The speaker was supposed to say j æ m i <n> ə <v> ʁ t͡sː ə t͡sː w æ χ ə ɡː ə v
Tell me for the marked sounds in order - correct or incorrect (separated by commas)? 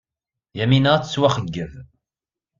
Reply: correct, incorrect